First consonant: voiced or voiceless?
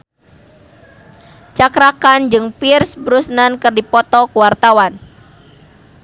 voiceless